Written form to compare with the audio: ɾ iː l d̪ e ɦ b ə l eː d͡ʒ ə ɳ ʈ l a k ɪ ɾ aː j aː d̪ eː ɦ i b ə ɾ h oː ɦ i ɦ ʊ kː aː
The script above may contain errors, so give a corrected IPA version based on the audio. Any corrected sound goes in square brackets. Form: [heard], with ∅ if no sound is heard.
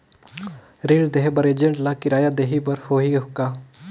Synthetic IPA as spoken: ɾ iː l d̪ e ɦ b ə [ɾ] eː d͡ʒ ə ɳ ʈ l a k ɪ ɾ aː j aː d̪ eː ɦ i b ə ɾ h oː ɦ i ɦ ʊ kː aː